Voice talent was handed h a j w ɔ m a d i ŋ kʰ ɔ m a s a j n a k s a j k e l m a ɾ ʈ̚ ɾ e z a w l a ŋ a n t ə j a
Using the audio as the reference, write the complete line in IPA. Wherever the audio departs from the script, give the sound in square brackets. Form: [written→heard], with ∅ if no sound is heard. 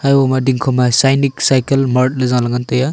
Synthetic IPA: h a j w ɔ m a d i ŋ kʰ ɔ m a s a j n [a→i] k s a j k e l m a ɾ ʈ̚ [ɾ→l] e z a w l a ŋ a n t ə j a

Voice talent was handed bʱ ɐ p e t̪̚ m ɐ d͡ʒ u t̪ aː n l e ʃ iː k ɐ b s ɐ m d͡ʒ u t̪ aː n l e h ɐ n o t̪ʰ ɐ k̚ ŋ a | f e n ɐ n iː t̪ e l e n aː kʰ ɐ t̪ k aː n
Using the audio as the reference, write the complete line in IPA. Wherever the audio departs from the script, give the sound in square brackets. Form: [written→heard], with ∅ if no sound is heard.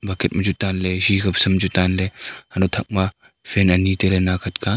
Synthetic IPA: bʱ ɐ [p→k] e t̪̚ m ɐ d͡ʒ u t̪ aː n l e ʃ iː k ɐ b s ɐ m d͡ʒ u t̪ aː n l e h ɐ n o t̪ʰ ɐ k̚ [ŋ→m] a | f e n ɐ n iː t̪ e l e n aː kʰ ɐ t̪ k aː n

